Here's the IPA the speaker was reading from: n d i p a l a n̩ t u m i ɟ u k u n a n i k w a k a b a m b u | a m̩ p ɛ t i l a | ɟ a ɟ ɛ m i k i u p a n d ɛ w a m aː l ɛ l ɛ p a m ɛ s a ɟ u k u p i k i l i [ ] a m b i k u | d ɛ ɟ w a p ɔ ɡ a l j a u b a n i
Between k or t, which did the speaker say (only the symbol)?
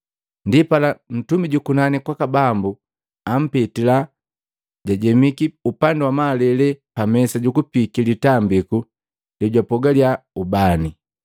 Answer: t